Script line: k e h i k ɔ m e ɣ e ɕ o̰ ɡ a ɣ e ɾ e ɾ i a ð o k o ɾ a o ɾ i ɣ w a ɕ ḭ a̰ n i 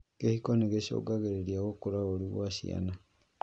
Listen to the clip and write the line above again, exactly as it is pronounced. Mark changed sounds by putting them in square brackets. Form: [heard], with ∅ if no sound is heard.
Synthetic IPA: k e h i k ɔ [n] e ɣ e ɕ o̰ ɡ a ɣ e ɾ e ɾ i a [ɣ] o k o ɾ a o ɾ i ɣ w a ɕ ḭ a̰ n [a]